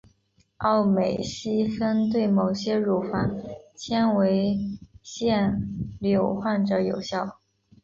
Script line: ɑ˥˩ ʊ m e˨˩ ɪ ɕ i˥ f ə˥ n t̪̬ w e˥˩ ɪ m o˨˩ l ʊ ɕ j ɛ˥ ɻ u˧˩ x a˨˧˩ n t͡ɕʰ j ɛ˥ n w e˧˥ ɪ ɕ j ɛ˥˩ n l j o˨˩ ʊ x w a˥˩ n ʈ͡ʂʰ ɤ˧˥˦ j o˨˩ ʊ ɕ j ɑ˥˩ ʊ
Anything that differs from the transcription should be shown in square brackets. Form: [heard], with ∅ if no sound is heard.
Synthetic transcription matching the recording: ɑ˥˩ ʊ m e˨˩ ɪ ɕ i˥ f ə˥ n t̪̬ w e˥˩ ɪ m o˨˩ [∅] ʊ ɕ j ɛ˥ ɻ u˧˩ [f] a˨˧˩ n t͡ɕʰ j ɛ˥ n w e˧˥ ɪ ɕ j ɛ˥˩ n l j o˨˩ ʊ x w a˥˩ n [ʈ͡ʂ] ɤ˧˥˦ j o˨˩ ʊ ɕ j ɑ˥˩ ʊ

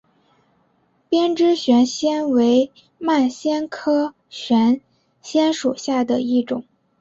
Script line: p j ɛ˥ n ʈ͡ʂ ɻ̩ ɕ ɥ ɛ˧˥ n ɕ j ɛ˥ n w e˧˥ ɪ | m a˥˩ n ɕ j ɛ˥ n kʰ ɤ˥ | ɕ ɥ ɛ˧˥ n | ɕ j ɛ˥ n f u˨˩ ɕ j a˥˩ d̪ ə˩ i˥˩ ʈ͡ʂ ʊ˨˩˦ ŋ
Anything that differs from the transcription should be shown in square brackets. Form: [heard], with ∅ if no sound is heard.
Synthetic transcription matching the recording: p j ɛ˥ n ʈ͡ʂ ɻ̩ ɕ ɥ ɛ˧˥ n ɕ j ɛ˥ n w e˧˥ ɪ | m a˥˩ n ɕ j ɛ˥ n kʰ ɤ˥ | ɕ ɥ ɛ˧˥ n | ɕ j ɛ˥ n [ʂ] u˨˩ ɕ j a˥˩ d̪ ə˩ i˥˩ ʈ͡ʂ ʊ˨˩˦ ŋ

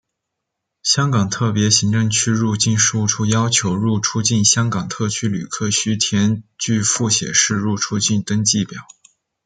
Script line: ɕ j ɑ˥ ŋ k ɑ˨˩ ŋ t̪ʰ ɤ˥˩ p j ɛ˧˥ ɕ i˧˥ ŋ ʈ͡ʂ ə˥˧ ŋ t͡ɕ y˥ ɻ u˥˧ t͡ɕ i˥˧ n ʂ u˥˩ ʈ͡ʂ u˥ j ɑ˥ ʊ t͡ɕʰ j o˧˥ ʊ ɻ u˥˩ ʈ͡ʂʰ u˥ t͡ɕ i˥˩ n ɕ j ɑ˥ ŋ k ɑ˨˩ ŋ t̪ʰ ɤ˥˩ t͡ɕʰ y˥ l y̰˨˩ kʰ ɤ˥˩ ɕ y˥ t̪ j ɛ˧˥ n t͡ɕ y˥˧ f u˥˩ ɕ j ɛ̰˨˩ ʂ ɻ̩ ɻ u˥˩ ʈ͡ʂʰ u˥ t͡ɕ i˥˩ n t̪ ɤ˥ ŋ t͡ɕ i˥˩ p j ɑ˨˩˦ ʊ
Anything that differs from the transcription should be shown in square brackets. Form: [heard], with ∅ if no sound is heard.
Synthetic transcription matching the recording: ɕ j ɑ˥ ŋ k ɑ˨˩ ŋ t̪ʰ ɤ˥˩ p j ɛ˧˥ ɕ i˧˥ ŋ ʈ͡ʂ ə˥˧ ŋ [t͡ɕʰ] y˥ ɻ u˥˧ t͡ɕ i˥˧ n ʂ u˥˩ [ʈ͡ʂʰ] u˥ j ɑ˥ ʊ t͡ɕʰ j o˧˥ ʊ ɻ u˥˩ ʈ͡ʂʰ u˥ t͡ɕ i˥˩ n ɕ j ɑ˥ ŋ k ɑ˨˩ ŋ t̪ʰ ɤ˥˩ t͡ɕʰ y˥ l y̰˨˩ kʰ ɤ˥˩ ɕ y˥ [t̪ʰ] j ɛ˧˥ n t͡ɕ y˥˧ f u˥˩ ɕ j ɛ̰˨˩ ʂ ɻ̩ ɻ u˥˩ ʈ͡ʂʰ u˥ t͡ɕ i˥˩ n t̪ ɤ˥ ŋ t͡ɕ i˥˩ p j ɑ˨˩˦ ʊ

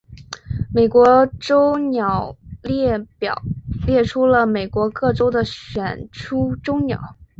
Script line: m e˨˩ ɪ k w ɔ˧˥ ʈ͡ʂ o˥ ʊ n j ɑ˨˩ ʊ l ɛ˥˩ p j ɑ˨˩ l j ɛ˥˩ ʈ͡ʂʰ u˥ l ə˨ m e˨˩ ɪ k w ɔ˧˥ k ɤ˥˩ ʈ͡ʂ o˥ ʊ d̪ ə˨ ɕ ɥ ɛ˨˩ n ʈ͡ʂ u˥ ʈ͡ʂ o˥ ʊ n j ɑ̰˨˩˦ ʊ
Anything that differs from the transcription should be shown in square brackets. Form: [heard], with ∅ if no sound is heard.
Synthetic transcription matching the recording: m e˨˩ ɪ k w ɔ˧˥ ʈ͡ʂ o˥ ʊ n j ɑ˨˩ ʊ l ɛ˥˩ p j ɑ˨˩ l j ɛ˥˩ ʈ͡ʂʰ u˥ l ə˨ m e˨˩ ɪ k w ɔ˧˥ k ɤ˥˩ ʈ͡ʂ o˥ ʊ d̪ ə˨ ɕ ɥ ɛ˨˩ n [ʈ͡ʂʰ] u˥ ʈ͡ʂ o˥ ʊ n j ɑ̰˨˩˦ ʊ

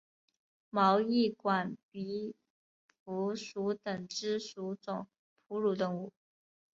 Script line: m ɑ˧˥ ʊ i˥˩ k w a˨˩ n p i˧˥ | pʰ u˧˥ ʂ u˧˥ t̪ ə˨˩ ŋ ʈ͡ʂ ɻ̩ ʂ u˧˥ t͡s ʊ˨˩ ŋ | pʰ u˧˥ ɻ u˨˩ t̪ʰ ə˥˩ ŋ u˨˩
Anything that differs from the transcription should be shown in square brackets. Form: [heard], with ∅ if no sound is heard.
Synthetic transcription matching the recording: m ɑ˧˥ ʊ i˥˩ k w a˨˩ n p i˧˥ | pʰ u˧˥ ʂ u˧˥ t̪ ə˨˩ ŋ ʈ͡ʂ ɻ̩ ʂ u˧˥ t͡s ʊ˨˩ ŋ | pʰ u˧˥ ɻ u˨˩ [t̪] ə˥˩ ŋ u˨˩

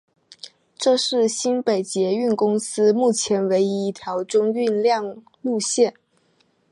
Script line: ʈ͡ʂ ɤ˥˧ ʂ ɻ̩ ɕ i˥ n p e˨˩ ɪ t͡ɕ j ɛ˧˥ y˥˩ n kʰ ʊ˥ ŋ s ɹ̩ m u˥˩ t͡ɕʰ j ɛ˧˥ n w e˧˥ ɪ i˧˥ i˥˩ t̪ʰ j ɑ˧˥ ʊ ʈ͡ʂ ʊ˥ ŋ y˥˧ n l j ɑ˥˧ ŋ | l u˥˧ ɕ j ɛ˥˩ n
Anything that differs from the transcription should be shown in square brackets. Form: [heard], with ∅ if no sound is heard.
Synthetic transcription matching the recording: ʈ͡ʂ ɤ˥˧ ʂ ɻ̩ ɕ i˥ n p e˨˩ ɪ t͡ɕ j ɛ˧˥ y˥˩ n [k] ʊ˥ ŋ s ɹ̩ m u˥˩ t͡ɕʰ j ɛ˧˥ n w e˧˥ ɪ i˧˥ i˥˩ t̪ʰ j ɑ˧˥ ʊ ʈ͡ʂ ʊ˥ ŋ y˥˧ n l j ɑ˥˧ ŋ | l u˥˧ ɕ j ɛ˥˩ n

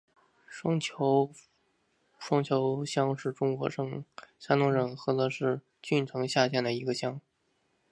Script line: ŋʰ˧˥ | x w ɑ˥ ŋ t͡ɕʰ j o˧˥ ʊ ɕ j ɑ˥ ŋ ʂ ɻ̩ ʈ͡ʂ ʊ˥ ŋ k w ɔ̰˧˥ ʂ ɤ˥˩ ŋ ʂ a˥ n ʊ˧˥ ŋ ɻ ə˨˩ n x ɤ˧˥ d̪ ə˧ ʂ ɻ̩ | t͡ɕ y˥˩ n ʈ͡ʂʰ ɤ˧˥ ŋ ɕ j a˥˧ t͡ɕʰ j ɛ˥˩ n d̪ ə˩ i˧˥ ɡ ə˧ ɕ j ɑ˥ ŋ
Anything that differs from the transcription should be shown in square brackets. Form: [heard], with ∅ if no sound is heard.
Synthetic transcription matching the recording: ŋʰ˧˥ | [ʂ] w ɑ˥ ŋ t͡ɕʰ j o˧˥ ʊ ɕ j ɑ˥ ŋ ʂ ɻ̩ ʈ͡ʂ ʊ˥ ŋ k w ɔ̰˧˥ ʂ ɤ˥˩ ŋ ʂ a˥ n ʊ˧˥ ŋ ɻ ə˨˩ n x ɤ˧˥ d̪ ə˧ ʂ ɻ̩ | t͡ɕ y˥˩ n ʈ͡ʂʰ ɤ˧˥ ŋ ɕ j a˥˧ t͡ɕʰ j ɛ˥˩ n d̪ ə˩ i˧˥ ɡ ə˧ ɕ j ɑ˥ ŋ

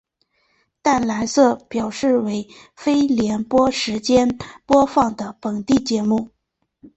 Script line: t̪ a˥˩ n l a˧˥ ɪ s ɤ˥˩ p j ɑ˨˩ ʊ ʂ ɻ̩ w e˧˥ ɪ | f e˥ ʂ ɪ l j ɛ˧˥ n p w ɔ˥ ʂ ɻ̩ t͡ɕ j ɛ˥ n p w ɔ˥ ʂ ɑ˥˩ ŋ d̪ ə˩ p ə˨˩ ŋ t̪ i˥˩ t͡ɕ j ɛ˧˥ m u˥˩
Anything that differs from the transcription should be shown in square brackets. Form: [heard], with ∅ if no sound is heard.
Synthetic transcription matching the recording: t̪ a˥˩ n l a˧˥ ɪ s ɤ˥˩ p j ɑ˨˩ ʊ ʂ ɻ̩ w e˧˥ ɪ | f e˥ [∅] ɪ l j ɛ˧˥ n p w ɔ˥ ʂ ɻ̩ t͡ɕ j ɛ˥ n p w ɔ˥ [f] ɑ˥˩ ŋ d̪ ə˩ p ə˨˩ ŋ t̪ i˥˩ t͡ɕ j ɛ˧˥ m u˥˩

